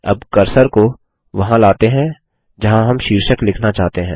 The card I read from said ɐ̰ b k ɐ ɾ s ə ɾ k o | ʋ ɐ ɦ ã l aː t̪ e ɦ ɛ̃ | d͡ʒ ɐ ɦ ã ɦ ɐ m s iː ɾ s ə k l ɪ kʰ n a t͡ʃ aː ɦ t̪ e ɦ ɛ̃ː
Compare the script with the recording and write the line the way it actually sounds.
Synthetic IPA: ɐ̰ b k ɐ ɾ s ə ɾ k o | ʋ ɐ ɦ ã l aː t̪ e ɦ ɛ̃ | d͡ʒ ɐ ɦ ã ɦ ɐ m ʃ iː ɾ ʃ ə k l ɪ kʰ n a t͡ʃ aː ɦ t̪ e ɦ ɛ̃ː